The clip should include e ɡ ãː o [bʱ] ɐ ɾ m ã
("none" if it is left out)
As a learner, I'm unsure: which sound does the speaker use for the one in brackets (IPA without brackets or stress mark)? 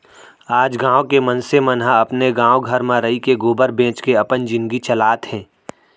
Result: ɡʱ